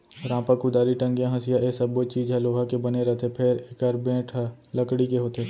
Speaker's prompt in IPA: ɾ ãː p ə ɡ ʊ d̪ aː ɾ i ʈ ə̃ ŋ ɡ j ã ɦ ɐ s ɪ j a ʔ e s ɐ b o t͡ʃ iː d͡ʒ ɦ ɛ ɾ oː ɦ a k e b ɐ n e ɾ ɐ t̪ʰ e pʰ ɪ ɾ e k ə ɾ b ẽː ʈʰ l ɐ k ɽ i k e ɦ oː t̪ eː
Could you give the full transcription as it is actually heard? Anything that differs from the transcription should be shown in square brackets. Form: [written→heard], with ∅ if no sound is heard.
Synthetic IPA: ɾ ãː p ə [ɡ→k] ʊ d̪ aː ɾ i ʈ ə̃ ŋ ɡ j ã ɦ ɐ s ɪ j a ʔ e s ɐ b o t͡ʃ iː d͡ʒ ɦ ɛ [ɾ→l] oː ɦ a k e b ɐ n e ɾ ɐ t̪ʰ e pʰ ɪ ɾ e k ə ɾ b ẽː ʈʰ l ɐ k ɽ i k e ɦ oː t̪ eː